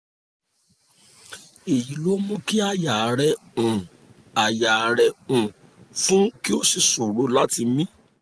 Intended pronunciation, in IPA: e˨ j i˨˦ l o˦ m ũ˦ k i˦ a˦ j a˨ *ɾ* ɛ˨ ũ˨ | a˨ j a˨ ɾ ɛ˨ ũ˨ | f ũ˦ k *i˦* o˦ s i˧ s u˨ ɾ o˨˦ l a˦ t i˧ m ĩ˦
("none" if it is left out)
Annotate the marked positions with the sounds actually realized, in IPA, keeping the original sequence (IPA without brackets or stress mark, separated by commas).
ɾ, i˦